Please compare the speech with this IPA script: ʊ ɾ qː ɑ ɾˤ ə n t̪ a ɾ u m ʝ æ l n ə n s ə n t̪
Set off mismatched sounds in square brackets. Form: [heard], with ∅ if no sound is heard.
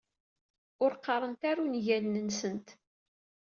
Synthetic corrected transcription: ʊ ɾ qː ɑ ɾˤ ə n t̪ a ɾ u [n] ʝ æ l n ə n s ə n t̪

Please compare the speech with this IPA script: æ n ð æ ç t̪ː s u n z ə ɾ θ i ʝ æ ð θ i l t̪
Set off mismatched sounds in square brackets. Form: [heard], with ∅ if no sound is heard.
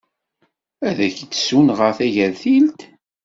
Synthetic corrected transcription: æ [∅] ð æ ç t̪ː s u n [ʁ] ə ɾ θ [æ] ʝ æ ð θ i l t̪

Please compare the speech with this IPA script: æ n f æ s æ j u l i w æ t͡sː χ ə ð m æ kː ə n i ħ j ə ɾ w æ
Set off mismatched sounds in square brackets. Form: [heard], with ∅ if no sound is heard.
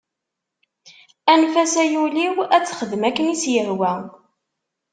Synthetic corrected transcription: æ n f æ s æ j u l i w æ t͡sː χ ə ð m æ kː ə n i [s] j ə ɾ w æ

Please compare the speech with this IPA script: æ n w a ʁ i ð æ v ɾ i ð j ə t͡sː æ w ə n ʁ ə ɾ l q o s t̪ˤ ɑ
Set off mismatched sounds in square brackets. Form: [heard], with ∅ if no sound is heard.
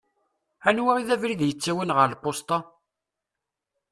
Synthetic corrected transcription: æ n w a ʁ i ð æ v ɾ i ð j ə t͡sː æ w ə n ʁ ə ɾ l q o s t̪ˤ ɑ

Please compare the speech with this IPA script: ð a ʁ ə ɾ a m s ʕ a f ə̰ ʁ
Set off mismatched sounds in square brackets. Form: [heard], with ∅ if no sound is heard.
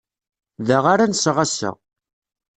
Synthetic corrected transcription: ð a ʁ [a] ɾ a [n] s [ʁ] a [s] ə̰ ʁ

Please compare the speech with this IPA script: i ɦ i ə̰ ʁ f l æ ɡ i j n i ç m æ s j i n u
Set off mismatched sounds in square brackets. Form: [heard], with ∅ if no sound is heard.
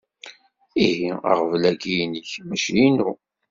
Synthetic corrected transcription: i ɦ i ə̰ ʁ [v] l æ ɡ i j n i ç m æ [ʃ] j i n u

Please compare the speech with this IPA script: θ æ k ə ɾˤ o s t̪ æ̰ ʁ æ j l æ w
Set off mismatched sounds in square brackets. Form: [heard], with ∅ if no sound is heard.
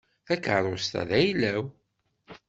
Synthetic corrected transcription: θ æ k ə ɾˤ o s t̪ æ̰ [ð] æ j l æ w

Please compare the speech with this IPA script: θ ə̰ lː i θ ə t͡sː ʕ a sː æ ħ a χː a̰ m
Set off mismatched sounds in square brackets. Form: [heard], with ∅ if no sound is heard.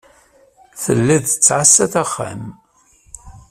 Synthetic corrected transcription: θ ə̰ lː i [ð] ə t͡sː ʕ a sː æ [θ] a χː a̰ m

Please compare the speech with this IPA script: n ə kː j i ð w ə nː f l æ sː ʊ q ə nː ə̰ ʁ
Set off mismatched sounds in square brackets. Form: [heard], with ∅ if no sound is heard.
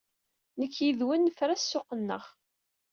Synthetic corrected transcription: n ə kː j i ð w ə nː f [ɾ] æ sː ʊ q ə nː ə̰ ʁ

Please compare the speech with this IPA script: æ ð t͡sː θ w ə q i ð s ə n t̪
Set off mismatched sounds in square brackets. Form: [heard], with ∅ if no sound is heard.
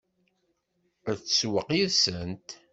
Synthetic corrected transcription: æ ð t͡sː [s] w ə q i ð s ə n t̪

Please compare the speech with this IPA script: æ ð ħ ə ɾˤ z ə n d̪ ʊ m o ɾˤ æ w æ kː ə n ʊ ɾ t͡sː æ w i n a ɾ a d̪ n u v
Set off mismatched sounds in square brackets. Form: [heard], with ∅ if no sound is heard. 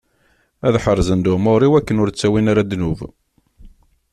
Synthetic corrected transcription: æ ð ħ ə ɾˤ z ə n d̪ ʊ m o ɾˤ [i] w æ kː ə n ʊ ɾ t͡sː æ w i n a ɾ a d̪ n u v

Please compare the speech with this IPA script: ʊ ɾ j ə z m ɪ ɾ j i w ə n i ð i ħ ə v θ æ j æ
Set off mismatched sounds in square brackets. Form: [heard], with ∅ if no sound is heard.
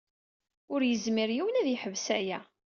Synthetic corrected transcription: ʊ ɾ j ə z m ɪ ɾ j i w ə n [æ] ð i ħ ə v [s] æ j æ

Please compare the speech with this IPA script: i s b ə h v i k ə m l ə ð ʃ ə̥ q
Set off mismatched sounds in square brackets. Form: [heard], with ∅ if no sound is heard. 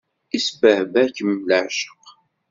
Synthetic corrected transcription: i s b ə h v [æ] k ə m l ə [ʕ] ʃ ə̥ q

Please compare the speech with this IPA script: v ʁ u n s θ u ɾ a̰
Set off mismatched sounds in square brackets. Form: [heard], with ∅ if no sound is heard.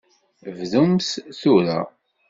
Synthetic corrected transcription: v [ð] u [m] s θ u ɾ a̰

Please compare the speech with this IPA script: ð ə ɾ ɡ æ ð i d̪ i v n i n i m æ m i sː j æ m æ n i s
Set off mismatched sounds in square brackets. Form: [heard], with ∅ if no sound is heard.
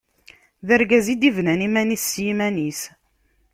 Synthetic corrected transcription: ð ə ɾ ɡ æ [z] i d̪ i v n [æ] n i m æ [n] i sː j [i] m æ n i s

